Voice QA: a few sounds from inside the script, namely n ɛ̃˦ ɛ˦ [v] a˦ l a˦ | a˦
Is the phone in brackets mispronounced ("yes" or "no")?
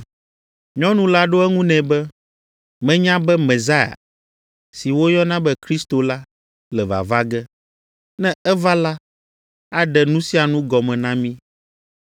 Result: no